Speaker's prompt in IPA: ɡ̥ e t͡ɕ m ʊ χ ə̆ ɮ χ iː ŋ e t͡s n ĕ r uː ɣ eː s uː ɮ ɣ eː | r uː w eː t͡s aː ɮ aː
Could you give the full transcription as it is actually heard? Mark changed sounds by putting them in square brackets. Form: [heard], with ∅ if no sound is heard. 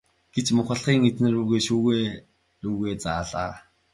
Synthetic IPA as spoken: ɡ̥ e t͡ɕ m ʊ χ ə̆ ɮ χ iː ŋ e t͡s n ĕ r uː ɣ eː [ʃ] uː [∅] ɣ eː | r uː [ɣ] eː t͡s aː ɮ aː